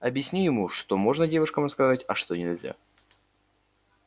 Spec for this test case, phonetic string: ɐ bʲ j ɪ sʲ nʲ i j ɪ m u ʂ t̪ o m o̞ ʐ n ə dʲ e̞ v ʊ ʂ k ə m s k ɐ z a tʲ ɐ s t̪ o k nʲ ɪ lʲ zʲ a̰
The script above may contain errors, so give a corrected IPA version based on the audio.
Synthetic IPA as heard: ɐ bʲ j ɪ sʲ nʲ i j ɪ m u ʂ t̪ o m o̞ ʐ n ə dʲ e̞ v ʊ ʂ k ə m s k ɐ z a tʲ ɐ ʂ t̪ o nʲ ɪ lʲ zʲ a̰

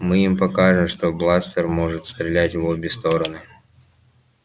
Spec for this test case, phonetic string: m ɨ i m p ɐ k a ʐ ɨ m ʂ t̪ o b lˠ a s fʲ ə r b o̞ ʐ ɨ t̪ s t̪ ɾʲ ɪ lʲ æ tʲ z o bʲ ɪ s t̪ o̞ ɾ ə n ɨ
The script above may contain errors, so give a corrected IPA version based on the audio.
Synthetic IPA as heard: m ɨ i m p ɐ k a ʐ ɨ m ʂ t̪ o b lˠ a s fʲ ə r m o̞ ʐ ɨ t̪ s t̪ ɾʲ ɪ lʲ æ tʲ v o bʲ ɪ s t̪ o̞ ɾ ə n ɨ

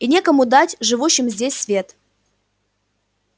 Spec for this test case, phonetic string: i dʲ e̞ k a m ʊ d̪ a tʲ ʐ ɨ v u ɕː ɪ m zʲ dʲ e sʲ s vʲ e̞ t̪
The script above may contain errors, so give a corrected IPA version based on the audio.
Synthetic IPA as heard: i nʲ e̞ k ə m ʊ d̪ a tʲ ʐ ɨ v u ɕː ɪ m zʲ dʲ e sʲ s vʲ e̞ t̪

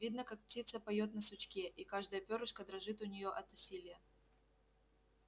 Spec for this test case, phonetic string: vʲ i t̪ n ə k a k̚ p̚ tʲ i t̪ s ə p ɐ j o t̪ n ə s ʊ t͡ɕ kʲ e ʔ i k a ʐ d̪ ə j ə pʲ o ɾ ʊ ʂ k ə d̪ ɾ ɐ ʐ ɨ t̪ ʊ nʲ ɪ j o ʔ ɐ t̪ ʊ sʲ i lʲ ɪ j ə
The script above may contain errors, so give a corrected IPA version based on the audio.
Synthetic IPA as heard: vʲ i d̪ n ə k a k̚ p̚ tʲ i t̪ s ə p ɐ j o t̪ n ə s ʊ t͡ɕ kʲ e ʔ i k a ʐ d̪ ə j ə pʲ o ɾ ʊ ʂ k ə d̪ ɾ ɐ ʐ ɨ t̪ ʊ nʲ ɪ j o ʔ ɐ t̪ ʊ sʲ i lʲ ɪ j ə

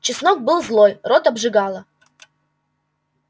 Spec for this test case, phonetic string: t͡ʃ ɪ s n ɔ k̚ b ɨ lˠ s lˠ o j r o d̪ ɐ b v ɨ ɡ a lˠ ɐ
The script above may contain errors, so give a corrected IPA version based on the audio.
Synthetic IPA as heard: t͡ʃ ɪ s n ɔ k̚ b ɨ lˠ z lˠ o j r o t̪ ɐ b ʐ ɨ ɡ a lˠ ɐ

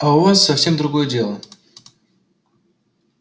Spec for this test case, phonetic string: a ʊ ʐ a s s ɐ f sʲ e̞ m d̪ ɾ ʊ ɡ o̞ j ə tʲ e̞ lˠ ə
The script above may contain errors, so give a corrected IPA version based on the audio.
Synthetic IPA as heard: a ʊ v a s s ɐ f sʲ e̞ m d̪ ɾ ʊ ɡ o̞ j ə dʲ e̞ lˠ ə

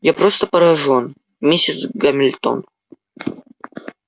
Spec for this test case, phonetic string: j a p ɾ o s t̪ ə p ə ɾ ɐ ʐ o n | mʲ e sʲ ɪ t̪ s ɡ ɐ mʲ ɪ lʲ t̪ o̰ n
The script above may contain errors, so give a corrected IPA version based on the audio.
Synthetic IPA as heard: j a p ɾ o s t̪ ə p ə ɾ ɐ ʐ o n | mʲ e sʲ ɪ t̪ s ɡ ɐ mʲ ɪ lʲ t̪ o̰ n

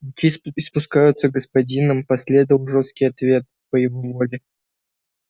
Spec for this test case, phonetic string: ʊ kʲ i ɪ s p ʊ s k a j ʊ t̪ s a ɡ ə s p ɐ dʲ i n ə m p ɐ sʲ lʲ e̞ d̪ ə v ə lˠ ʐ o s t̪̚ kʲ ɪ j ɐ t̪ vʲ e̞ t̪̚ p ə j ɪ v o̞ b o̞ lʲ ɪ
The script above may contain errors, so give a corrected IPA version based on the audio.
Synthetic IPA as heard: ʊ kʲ i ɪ s p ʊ s k a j ʊ t̪ s ə ɡ ə s p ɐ dʲ i n ə m p ɐ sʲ lʲ e̞ d̪ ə v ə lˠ ʐ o s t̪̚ kʲ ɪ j ɐ t̪ vʲ e̞ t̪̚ p ə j ɪ v o̞ v o̞ lʲ ɪ

